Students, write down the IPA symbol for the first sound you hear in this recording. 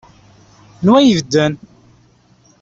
n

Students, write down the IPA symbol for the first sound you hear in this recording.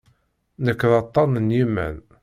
n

